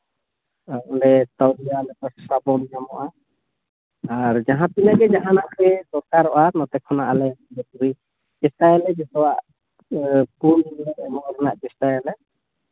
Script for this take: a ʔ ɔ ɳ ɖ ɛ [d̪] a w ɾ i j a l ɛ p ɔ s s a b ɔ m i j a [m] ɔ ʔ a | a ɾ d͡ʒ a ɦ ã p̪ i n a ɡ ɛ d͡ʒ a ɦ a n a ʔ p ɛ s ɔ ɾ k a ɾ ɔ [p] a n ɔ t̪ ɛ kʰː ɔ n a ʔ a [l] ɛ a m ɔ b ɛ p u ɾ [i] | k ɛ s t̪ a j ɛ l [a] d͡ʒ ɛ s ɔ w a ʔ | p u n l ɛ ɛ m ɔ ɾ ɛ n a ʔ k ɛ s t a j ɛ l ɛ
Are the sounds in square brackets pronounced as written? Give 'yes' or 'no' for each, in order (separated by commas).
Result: no, yes, no, yes, yes, no